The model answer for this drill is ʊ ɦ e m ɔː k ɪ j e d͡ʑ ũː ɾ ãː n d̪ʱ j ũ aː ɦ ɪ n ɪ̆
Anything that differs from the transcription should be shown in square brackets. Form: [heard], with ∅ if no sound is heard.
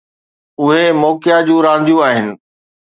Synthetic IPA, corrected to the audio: ʊ ɦ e m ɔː k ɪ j [a] d͡ʑ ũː ɾ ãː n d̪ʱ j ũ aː ɦ ɪ n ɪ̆